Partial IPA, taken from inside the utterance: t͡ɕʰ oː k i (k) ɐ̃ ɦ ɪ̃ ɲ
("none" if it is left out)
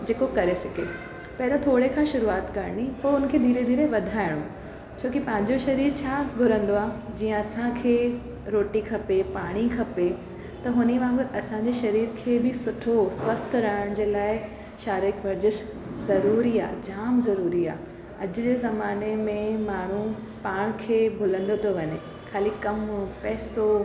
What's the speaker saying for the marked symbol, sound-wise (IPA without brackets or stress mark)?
p